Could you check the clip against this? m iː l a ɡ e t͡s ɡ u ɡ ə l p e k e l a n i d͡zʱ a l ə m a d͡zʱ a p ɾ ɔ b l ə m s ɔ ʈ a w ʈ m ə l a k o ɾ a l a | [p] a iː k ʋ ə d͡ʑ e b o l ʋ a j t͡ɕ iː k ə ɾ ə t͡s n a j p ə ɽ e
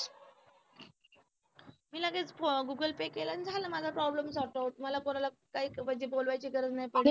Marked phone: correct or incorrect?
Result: incorrect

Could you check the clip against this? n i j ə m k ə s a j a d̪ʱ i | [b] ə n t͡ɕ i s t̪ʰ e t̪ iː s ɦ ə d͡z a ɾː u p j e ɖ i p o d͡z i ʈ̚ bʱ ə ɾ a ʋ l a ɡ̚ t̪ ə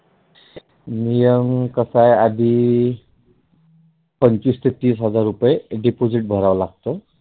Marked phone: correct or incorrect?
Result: incorrect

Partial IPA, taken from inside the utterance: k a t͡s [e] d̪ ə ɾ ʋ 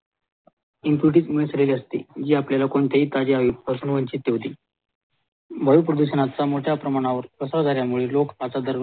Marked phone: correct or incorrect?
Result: incorrect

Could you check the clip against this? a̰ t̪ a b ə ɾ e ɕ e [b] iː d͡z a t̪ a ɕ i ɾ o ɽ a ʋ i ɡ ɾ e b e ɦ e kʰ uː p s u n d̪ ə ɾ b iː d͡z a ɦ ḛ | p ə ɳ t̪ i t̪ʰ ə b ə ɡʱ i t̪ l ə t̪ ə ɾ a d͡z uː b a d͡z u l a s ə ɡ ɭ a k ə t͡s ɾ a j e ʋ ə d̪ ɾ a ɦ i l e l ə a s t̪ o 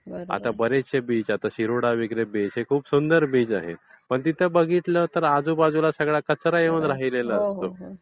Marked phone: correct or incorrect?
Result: correct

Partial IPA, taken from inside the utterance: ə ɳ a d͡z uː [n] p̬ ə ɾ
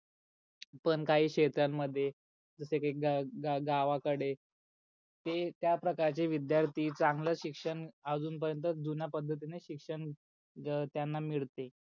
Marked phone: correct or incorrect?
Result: correct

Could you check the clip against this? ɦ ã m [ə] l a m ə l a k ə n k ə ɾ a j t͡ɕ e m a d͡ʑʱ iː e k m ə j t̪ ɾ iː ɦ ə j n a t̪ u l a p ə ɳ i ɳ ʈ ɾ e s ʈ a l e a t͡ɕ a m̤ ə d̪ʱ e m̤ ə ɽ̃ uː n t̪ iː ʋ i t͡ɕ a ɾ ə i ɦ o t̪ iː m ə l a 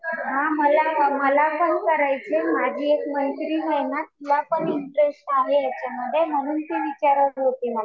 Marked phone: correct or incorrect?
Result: correct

